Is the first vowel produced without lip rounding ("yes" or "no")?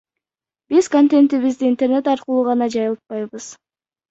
yes